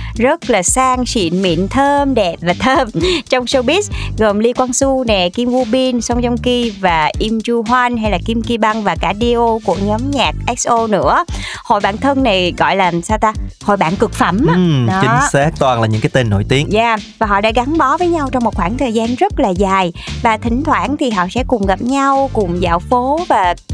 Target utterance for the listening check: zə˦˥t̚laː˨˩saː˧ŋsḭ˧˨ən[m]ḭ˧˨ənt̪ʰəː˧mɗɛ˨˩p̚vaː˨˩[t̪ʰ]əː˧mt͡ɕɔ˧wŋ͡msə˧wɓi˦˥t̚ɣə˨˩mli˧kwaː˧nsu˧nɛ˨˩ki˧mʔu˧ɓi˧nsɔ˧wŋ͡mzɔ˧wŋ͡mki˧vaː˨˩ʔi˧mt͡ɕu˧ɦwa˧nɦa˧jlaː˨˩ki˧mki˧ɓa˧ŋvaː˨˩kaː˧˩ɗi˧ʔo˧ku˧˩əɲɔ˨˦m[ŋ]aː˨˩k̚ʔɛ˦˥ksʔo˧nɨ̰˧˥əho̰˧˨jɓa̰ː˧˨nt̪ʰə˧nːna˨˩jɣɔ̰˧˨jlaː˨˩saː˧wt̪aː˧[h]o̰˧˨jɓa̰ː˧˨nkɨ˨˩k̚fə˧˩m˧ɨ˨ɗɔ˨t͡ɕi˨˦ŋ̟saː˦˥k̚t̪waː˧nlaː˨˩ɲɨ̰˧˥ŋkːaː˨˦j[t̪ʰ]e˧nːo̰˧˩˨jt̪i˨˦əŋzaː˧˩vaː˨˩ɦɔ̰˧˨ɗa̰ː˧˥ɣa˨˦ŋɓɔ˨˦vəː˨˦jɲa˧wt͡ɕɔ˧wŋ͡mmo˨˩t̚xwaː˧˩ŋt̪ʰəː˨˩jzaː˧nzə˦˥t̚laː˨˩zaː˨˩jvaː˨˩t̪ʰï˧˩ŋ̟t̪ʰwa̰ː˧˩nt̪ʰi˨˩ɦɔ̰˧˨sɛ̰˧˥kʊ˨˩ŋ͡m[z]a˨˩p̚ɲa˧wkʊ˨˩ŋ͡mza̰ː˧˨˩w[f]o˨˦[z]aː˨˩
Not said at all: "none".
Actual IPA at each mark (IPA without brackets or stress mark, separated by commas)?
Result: m, t̪ʰ, ɲ, h, t̪, ɣ, f, v